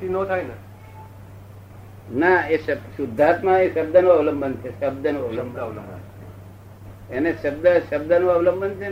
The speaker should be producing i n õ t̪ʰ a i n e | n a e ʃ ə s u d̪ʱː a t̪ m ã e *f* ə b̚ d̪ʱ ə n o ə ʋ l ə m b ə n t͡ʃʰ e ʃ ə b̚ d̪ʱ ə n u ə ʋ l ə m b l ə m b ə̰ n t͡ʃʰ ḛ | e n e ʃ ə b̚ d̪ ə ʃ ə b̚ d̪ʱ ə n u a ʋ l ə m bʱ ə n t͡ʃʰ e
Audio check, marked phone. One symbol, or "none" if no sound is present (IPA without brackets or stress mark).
ʃ